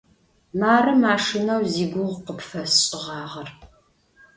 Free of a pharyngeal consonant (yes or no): yes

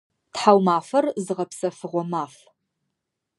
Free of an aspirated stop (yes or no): yes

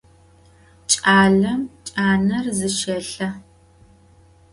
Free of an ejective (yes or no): no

